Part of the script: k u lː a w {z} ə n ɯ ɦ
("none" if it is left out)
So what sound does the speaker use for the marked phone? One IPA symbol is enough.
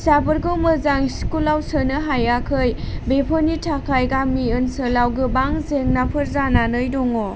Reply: s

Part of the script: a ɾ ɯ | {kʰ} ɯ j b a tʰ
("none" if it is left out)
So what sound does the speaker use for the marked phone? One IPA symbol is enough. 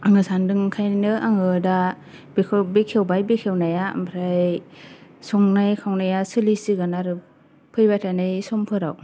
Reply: pʰ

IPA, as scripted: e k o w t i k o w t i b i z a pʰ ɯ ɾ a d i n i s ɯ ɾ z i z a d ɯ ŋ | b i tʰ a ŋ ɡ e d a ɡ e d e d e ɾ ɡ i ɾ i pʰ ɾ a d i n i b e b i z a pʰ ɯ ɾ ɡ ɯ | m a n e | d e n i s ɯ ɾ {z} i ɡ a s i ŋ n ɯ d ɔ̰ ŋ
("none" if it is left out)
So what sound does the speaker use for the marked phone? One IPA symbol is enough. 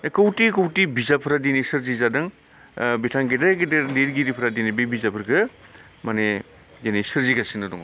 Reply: z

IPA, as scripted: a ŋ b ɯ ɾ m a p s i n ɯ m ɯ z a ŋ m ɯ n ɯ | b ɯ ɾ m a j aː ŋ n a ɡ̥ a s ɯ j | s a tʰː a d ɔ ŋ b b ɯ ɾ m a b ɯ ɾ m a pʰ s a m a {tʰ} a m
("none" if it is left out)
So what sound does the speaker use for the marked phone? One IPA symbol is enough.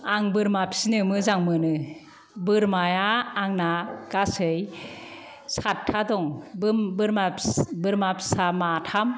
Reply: tʰ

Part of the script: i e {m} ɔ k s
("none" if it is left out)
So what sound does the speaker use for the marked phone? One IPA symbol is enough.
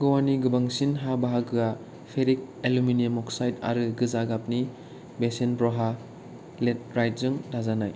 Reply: m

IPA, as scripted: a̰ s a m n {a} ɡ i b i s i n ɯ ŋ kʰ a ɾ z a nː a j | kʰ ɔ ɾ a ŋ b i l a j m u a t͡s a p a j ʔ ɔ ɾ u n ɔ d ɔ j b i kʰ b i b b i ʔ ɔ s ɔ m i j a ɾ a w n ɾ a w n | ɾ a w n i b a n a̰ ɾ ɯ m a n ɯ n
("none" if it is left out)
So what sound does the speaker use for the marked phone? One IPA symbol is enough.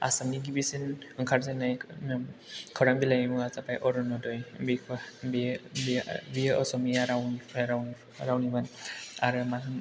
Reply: i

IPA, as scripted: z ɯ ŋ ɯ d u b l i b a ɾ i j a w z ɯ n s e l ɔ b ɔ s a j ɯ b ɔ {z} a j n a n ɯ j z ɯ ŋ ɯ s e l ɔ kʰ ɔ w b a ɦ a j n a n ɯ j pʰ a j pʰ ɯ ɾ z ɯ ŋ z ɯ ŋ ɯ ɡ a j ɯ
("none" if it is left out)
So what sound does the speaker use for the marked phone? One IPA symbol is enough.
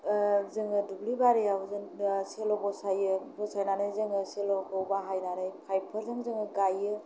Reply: s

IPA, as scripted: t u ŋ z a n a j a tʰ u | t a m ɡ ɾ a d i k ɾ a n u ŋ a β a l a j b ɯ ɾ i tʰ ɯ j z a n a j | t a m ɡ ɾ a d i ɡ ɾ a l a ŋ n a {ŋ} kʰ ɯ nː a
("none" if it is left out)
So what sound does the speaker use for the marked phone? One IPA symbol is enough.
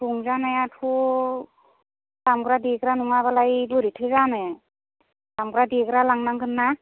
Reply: ŋ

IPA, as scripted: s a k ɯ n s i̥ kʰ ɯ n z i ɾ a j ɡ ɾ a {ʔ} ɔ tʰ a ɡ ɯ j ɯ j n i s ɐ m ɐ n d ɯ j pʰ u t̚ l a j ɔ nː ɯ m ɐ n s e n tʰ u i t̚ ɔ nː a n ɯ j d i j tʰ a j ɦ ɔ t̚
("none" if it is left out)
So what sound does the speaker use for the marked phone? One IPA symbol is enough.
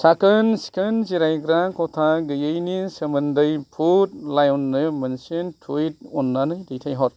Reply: k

